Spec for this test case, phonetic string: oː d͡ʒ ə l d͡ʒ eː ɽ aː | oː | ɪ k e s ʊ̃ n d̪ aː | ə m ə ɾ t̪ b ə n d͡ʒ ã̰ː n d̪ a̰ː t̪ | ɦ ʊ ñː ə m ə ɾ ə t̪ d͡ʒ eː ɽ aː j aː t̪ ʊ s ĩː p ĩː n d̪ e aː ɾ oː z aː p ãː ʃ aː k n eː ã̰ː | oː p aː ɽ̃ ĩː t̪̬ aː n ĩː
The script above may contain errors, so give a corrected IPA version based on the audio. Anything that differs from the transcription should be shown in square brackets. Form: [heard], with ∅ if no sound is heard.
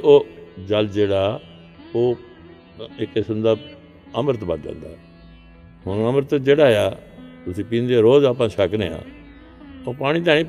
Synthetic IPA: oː d͡ʒ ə l d͡ʒ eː ɽ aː | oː | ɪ k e s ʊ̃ n d̪ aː | ə m ə ɾ t̪ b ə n d͡ʒ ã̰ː n d̪ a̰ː [∅] | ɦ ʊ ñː ə m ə ɾ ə t̪ d͡ʒ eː ɽ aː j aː t̪ ʊ s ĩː p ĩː n d̪ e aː ɾ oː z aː p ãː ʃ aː k n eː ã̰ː | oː p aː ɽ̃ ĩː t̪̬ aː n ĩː